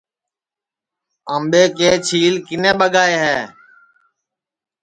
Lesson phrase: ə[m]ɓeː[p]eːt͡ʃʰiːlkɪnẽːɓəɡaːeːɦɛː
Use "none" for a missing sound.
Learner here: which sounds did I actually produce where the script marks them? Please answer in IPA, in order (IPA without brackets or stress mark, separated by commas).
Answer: m, k